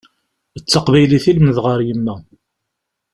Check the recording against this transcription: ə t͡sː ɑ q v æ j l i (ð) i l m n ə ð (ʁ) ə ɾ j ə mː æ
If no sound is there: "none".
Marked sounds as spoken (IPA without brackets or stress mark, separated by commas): θ, ʁ